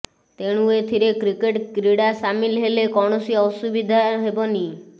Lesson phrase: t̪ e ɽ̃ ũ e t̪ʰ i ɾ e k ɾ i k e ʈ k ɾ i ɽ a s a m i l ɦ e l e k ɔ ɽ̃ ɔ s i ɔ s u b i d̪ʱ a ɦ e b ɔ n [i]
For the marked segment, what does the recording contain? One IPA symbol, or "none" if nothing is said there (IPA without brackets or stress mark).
i